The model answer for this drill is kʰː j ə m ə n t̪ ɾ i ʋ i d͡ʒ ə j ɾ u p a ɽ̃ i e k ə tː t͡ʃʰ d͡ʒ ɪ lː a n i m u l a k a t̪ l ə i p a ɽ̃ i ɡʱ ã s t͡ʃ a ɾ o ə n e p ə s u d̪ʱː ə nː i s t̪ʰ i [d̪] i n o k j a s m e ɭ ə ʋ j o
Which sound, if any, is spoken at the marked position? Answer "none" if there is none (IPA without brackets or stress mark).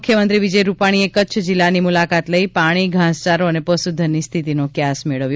t̪